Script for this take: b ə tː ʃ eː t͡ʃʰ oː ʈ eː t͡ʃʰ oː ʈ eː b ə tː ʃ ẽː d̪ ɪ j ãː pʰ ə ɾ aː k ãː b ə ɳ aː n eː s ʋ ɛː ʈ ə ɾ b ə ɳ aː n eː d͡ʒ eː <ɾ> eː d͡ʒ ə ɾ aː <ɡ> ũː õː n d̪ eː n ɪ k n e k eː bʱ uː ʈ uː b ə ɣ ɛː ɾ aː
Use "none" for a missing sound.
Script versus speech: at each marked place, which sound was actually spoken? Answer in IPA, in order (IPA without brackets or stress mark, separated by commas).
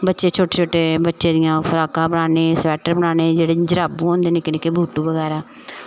ɽ, b